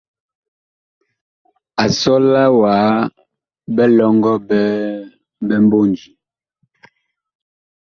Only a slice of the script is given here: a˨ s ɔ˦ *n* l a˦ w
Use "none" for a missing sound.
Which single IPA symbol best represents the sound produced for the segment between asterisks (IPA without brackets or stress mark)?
none